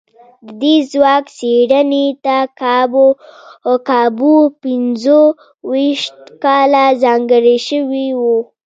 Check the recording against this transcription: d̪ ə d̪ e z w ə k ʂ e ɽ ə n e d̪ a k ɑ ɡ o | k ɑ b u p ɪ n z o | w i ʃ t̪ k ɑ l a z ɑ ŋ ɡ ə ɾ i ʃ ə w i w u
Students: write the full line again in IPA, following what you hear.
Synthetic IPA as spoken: d̪ ə d̪ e z w ɑ k s e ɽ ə n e t̪ a k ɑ b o | k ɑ b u p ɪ n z o | w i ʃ t̪ k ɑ l a z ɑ ŋ ɡ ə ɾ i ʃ ə w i w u